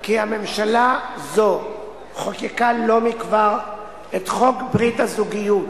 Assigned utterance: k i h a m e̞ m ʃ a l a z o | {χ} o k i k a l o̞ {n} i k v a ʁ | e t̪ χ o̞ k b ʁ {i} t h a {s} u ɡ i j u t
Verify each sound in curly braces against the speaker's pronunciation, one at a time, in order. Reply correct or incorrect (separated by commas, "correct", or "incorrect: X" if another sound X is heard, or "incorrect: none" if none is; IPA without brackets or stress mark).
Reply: correct, incorrect: m, correct, incorrect: z